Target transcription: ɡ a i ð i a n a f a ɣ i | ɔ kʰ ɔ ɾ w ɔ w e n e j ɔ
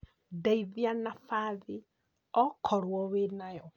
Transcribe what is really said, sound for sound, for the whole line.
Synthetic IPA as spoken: d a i ð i a n a f a ð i | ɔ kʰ ɔ ɾ w ɔ w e n a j ɔ